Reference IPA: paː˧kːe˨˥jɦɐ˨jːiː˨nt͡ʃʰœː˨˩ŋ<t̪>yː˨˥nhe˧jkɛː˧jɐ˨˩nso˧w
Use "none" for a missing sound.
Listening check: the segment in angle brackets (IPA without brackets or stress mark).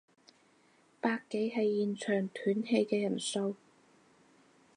t̪ʰ